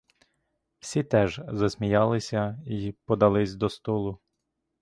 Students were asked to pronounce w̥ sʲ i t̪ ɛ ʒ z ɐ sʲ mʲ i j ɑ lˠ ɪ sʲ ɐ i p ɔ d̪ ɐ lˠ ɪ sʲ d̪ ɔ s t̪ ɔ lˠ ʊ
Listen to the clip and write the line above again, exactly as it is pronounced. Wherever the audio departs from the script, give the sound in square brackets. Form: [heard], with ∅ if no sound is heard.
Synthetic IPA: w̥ sʲ i t̪ ɛ ʒ z ɐ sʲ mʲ i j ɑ lˠ ɪ sʲ ɐ i p ɔ d̪ ɐ lˠ ɪ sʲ d̪ ɔ s t̪ ɔ lˠ ʊ